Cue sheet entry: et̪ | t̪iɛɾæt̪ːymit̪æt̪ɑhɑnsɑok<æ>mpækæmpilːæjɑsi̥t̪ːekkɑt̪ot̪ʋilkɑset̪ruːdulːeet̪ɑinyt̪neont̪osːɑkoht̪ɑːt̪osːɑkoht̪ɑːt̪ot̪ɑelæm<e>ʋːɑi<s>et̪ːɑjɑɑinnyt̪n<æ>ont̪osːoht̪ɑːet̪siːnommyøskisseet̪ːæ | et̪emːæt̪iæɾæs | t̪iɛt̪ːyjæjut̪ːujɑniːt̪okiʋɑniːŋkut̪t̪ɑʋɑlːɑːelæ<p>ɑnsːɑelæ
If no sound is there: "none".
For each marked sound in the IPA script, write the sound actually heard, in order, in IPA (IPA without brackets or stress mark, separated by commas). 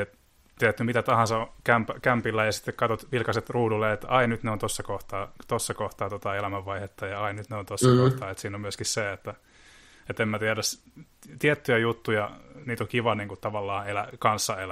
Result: æ, æ, h, e, k